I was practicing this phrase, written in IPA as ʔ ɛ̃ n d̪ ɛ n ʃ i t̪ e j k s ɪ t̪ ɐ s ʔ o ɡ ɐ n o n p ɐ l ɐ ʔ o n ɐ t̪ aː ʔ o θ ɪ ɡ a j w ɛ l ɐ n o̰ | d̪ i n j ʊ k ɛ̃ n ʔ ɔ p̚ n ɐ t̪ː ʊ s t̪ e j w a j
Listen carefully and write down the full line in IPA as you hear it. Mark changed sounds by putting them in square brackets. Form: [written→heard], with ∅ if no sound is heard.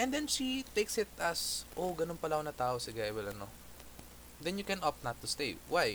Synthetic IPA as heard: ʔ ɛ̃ n d̪ ɛ n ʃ i t̪ e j k s ɪ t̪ ɐ s ʔ o ɡ ɐ n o n p ɐ l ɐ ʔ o n ɐ t̪ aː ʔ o [θ→s] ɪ ɡ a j w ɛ l ɐ n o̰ | d̪ [i→ɛ] n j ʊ k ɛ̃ n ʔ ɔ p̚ n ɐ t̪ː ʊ s t̪ e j w a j